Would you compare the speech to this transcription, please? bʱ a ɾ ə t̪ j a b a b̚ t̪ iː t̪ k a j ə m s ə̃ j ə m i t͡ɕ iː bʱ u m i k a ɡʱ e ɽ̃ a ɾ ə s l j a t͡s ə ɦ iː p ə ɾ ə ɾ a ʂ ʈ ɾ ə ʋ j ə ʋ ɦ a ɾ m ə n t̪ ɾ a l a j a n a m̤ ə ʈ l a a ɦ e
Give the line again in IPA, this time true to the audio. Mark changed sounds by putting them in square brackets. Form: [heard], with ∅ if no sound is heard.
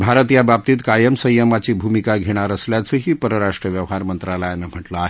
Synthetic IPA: bʱ a ɾ ə t̪ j a b a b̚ t̪ iː t̪ k a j ə m s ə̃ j ə m [a] t͡ɕ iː bʱ u m i k a ɡʱ e ɽ̃ a ɾ ə s l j a t͡s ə ɦ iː p ə ɾ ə ɾ a ʂ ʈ ɾ ə ʋ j ə ʋ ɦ a ɾ m ə n t̪ ɾ a l a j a n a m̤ ə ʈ l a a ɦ e